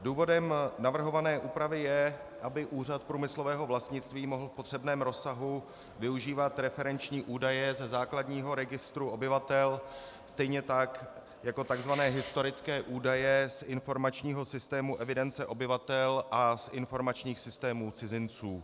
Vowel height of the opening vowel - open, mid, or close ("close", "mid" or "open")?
close